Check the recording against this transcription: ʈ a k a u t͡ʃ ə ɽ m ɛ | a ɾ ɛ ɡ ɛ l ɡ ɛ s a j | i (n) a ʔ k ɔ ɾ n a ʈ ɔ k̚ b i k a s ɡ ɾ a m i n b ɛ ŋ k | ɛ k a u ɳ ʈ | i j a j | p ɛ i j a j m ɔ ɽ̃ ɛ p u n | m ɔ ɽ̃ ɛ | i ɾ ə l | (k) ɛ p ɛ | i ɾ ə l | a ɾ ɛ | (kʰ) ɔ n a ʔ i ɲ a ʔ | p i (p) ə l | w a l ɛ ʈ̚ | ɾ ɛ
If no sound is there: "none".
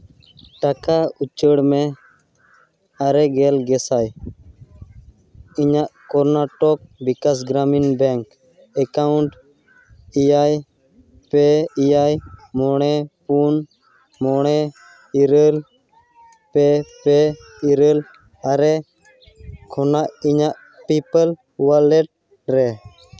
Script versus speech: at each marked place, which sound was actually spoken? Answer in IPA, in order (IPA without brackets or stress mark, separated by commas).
ɲ, p, kʰ, p